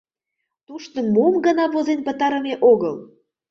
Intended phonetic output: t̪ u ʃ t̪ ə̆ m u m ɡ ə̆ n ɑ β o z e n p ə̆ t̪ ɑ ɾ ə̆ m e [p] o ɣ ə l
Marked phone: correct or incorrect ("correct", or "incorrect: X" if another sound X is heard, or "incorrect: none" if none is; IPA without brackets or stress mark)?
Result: incorrect: ʔ